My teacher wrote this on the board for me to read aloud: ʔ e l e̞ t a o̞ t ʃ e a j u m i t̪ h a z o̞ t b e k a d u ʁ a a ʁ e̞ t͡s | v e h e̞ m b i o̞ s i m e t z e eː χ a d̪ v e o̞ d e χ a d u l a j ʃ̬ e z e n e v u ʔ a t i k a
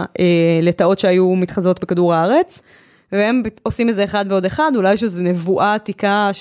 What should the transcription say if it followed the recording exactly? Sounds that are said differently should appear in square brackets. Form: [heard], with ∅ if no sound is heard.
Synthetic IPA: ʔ e l e̞ t a o̞ t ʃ e a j u m i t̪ [χ] a z o̞ t b e k a d u ʁ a a ʁ e̞ t͡s | v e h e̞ m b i o̞ s i m e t z e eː χ a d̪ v e o̞ d e χ a d u l a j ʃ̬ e z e n e v u ʔ a t i k a